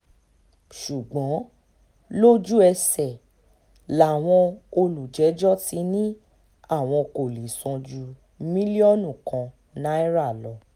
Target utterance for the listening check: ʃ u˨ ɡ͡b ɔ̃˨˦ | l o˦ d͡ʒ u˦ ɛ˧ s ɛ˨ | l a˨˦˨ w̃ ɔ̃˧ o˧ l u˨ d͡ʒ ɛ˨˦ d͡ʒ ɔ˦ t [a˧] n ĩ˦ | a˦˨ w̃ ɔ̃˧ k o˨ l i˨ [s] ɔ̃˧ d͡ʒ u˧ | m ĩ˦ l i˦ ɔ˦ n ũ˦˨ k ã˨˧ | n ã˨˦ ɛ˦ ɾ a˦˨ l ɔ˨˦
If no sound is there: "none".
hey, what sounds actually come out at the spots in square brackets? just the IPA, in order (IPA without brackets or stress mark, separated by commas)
i˧, s